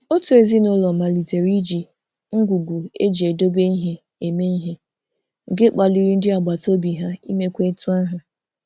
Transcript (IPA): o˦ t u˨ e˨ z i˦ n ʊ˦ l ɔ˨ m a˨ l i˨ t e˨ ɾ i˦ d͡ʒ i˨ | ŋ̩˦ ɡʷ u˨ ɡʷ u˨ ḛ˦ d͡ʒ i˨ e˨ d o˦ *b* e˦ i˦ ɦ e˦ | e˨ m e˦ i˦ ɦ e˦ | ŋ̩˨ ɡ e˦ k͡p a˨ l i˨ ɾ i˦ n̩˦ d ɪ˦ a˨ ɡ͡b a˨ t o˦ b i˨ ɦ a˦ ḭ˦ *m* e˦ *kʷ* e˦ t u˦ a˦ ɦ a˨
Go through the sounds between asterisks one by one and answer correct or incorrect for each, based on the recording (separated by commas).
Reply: correct, correct, correct